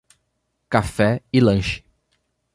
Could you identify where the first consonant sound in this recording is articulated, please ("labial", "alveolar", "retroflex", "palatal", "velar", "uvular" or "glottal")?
velar